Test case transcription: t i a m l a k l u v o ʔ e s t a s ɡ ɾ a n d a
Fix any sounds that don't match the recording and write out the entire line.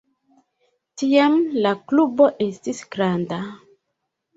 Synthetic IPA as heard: t i a m l a k l u b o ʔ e s t i s ɡ ɾ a n d a